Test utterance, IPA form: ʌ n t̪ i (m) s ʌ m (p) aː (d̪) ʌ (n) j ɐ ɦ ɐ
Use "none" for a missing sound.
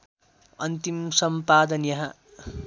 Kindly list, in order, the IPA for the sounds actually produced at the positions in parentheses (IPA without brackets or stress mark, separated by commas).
m, p, d̪, n